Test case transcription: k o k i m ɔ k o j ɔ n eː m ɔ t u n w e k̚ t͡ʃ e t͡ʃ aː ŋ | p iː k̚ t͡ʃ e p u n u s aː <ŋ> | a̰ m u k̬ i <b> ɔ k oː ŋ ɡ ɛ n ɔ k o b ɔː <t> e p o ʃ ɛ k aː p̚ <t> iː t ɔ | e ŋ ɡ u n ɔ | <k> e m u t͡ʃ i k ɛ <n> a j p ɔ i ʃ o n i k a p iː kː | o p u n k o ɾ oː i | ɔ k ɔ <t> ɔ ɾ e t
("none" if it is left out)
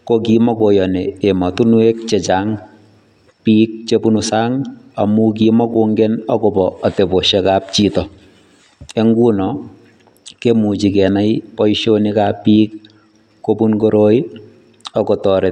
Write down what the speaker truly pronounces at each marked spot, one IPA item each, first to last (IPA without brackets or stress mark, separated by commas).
ŋ, m, t, t͡ʃ, k, n, t